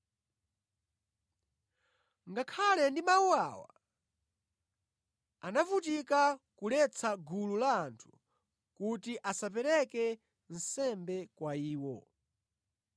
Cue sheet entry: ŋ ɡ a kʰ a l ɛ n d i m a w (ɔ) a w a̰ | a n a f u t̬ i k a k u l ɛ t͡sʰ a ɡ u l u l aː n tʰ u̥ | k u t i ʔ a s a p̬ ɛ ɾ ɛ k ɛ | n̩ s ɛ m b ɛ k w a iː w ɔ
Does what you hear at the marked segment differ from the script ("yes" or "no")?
yes